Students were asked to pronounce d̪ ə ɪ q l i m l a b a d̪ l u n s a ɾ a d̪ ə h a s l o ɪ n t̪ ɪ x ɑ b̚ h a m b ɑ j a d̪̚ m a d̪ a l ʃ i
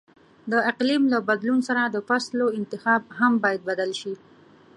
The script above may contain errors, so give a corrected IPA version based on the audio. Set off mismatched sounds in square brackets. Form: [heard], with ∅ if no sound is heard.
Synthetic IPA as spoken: d̪ ə ɪ q l i m l a b a d̪ l u n s a ɾ a d̪ ə [f] a s l o ɪ n t̪ ɪ x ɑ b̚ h a m b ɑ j a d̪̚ [b] a d̪ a l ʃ i